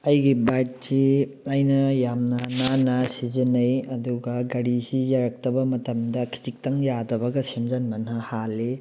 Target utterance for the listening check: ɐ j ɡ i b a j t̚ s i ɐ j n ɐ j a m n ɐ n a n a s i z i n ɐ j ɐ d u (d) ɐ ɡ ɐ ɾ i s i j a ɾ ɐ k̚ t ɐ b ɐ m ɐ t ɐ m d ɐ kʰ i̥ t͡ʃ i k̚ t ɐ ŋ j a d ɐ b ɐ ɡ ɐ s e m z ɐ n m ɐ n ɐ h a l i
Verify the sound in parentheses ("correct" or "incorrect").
incorrect